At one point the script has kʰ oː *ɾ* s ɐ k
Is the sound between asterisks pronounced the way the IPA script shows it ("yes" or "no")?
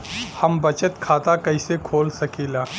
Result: no